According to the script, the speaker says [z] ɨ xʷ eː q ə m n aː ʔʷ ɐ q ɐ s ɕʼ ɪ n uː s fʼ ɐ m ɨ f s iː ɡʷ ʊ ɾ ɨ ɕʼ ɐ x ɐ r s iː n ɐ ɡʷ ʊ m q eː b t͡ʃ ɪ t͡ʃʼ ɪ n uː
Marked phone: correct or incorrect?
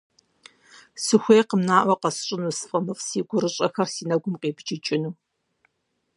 incorrect